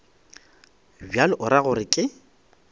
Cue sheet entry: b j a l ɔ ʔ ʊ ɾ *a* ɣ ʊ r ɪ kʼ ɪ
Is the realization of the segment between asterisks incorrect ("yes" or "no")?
no